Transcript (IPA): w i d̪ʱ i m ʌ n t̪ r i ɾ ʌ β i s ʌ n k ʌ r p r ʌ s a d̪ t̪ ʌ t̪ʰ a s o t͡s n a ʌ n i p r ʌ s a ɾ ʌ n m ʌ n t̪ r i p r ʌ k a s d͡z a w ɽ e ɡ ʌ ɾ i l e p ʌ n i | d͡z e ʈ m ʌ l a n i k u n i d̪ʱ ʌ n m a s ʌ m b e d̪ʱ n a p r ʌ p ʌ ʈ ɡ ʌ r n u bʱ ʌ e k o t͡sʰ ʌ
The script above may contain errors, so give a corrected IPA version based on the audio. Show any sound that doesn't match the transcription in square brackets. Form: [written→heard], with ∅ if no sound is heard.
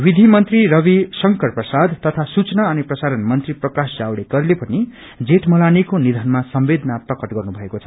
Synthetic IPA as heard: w i d̪ʱ i m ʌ n t̪ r i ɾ ʌ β i s ʌ [n→ŋ] k ʌ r p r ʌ s a d̪ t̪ ʌ t̪ʰ a s [o→u] t͡s n a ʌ n i p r ʌ s a ɾ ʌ n m ʌ n t̪ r i p r ʌ k a s d͡z a w ɽ e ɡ ʌ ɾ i l e p ʌ n i | d͡z e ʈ m ʌ l a n i k [u→o] n i d̪ʱ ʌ n m a s ʌ m b e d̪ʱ n a p r ʌ [p→k] ʌ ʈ ɡ ʌ r n u bʱ ʌ e k o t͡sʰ ʌ